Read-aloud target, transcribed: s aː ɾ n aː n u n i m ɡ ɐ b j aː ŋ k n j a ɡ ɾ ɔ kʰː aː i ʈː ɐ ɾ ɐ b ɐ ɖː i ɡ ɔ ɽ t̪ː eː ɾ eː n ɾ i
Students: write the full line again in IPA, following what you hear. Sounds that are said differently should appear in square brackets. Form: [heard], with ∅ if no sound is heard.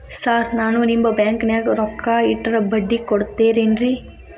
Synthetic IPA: s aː ɾ n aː n u n i m [b] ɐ b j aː ŋ k n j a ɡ ɾ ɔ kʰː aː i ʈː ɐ ɾ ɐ b ɐ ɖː i [k] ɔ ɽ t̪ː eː ɾ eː n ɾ i